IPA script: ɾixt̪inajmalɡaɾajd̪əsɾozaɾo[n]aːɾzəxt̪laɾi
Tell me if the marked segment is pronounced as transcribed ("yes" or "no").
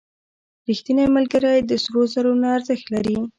yes